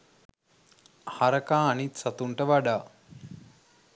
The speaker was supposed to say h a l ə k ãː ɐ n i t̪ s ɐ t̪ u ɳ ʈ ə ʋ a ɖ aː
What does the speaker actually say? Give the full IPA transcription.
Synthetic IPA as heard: h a ɾ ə k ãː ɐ n i t̪ s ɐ t̪ u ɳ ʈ ə ʋ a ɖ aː